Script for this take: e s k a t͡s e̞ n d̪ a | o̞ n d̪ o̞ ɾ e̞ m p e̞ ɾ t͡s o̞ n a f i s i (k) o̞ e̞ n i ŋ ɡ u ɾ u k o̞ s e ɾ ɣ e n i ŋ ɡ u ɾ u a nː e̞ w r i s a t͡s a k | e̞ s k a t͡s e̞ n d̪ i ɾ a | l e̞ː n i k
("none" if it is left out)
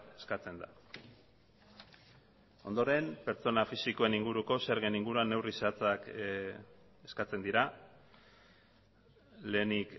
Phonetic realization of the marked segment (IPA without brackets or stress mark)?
k